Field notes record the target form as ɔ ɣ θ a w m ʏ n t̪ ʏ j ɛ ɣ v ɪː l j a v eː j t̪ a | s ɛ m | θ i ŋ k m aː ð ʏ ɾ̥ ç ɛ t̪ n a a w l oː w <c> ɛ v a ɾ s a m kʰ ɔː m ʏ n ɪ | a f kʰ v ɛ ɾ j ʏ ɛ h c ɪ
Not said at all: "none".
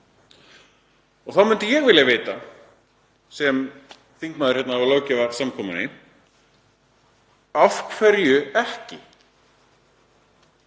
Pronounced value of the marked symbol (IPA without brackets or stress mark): c